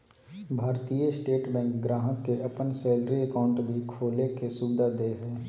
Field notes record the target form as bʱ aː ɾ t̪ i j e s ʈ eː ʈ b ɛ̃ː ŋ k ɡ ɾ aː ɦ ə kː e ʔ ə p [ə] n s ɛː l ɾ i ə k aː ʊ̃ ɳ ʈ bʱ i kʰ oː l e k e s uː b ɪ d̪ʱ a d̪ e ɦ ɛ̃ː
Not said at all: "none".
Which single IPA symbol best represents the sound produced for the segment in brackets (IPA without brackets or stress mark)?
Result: ə